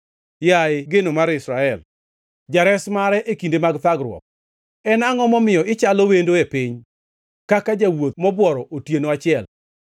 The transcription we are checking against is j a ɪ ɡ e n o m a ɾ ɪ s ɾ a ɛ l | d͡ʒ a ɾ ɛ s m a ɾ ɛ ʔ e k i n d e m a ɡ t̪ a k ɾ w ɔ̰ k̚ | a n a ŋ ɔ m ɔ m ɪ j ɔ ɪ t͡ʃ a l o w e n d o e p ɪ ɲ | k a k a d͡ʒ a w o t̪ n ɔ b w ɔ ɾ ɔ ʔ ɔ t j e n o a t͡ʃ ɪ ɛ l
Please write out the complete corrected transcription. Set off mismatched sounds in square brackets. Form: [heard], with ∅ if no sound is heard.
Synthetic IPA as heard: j a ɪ ɡ e n o m a ɾ ɪ s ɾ a ɛ l | d͡ʒ a ɾ ɛ s m a ɾ ɛ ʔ e k i n d e m a ɡ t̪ a [ɡ] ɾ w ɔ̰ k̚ | [ɛ] n a ŋ ɔ m ɔ m ɪ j ɔ ɪ t͡ʃ a l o w e n d o e p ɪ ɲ | k a k a d͡ʒ a w o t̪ [m] ɔ b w ɔ ɾ ɔ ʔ [o] t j e n o a t͡ʃ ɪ ɛ l

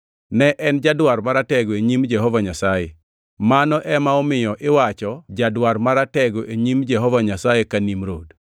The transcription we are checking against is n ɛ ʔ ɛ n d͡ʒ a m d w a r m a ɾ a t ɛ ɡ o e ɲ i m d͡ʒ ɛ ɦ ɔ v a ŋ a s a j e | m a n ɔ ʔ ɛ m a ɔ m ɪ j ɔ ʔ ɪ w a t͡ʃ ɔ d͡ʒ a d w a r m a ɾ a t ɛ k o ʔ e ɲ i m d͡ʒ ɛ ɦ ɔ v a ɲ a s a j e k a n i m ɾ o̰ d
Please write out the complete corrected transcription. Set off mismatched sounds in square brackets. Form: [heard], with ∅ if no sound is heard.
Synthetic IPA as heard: n ɛ ʔ ɛ n d͡ʒ a [∅] d w a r m a ɾ a t ɛ ɡ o e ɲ i m d͡ʒ ɛ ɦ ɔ v a [ɲ] a s a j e | m a n ɔ ʔ ɛ m a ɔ m ɪ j ɔ ʔ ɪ w a t͡ʃ ɔ d͡ʒ a d w a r m a ɾ a t ɛ [ɡ] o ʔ e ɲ i m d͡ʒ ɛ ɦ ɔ v a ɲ a s a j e k a n i m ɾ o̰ d

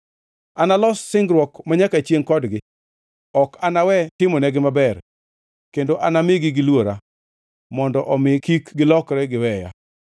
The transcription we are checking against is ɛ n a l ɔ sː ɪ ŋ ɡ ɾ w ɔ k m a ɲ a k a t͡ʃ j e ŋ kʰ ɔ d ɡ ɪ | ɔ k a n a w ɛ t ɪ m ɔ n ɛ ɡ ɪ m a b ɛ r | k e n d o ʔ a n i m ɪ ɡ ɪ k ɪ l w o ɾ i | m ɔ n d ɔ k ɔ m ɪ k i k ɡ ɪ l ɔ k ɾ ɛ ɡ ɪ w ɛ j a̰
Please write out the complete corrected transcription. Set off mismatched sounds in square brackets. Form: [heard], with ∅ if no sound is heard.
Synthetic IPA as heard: [a] n a l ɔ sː ɪ ŋ ɡ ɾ w ɔ k m a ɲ a k a t͡ʃ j e ŋ [k] ɔ d ɡ ɪ | ɔ k a n a w ɛ t ɪ m ɔ n ɛ ɡ ɪ m a b ɛ r | k e n d o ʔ a n [a] m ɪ ɡ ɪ [ɡ] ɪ l w o ɾ [a] | m ɔ n d ɔ [ʔ] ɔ m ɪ k i k ɡ ɪ l ɔ k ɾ ɛ ɡ ɪ w ɛ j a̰

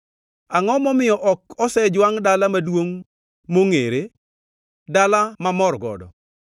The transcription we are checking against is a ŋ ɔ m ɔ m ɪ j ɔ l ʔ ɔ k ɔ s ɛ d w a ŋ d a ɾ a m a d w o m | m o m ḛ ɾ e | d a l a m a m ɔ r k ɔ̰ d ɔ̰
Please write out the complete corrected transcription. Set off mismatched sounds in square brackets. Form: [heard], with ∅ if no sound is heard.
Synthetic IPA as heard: a ŋ ɔ m ɔ m ɪ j ɔ [∅] ʔ ɔ k ɔ s ɛ [d͡ʒ] w a ŋ d a [l] a m a d w o [ŋ] | m o [ŋ] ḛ ɾ e | d a l a m a m ɔ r [ɡ] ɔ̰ d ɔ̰

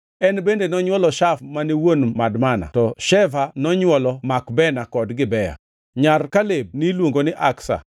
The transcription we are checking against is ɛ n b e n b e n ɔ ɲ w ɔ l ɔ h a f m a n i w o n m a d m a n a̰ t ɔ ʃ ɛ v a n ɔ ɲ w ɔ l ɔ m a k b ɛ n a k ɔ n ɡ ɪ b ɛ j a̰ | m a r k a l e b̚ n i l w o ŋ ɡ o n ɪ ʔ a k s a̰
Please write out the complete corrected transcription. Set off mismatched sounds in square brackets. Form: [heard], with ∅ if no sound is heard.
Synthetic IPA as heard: ɛ n b e n [d] e n ɔ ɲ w ɔ l ɔ [ʃ] a f m a n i w o n m a d m a n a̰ t ɔ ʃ ɛ v a n ɔ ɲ w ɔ l ɔ m a k b ɛ n a k ɔ [d] ɡ ɪ b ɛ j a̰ | [ɲ] a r k a l e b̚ n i l w o ŋ ɡ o n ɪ ʔ a k s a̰

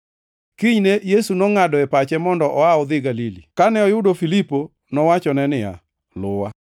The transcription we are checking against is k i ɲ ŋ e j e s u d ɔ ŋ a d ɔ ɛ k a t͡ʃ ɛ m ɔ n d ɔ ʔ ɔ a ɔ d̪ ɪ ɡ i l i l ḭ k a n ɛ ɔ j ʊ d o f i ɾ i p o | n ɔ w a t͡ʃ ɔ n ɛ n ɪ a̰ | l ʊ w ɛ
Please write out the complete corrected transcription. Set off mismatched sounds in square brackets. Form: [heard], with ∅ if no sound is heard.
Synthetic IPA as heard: k i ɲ [n] e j e s u [n] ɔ ŋ a d ɔ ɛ [p] a t͡ʃ ɛ m ɔ n d ɔ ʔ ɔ a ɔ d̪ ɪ ɡ [a] l i l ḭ k a n ɛ ɔ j ʊ d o f i [l] i p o | n ɔ w a t͡ʃ ɔ n ɛ n ɪ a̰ | l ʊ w [a]

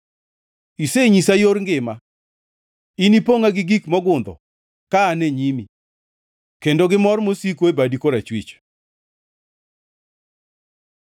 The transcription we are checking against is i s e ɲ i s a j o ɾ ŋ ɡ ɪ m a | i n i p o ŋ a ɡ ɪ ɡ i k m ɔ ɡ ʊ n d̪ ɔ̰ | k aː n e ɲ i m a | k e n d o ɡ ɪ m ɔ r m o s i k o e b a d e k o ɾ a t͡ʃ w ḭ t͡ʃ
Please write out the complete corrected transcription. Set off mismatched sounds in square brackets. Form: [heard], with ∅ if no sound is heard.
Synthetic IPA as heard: i s e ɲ i s a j o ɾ ŋ ɡ ɪ m a | i n i p o ŋ a ɡ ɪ ɡ i k m ɔ ɡ ʊ n d̪ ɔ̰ | k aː n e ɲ i m [i] | k e n d o ɡ ɪ m ɔ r m o s i k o e b a d [i] k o ɾ a t͡ʃ w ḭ t͡ʃ

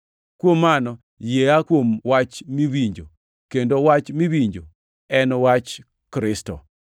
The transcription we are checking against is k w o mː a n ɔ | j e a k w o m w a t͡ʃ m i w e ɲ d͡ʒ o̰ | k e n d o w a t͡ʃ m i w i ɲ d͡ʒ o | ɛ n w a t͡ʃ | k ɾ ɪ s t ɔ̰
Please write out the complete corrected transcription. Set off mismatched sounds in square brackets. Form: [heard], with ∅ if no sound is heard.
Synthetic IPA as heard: k w o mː a n ɔ | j e a k w o m w a t͡ʃ m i w [i] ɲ d͡ʒ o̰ | k e n d o w a t͡ʃ m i w i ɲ d͡ʒ o | ɛ n w a t͡ʃ | k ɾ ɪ s t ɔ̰

